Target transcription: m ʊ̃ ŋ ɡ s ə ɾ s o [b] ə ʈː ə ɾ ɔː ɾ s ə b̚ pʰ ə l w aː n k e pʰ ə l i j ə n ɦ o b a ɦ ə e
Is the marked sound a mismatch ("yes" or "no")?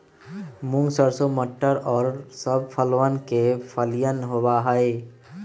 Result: yes